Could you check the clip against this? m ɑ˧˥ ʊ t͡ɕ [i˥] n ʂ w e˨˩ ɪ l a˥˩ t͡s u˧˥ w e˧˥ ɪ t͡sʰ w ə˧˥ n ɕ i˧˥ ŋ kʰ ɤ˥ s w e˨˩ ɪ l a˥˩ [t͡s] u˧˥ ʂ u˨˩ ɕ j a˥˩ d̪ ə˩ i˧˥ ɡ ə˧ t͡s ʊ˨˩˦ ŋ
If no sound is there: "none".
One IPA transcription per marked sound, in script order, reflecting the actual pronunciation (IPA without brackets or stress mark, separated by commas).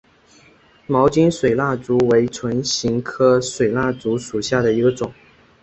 i˥, t͡s